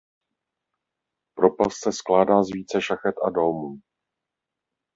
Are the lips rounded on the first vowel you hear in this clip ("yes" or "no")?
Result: yes